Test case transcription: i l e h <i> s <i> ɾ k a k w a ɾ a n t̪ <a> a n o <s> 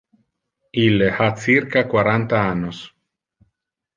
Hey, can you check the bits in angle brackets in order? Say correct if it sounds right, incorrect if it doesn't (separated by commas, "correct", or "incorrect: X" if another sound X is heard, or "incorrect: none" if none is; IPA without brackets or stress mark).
incorrect: a, correct, correct, correct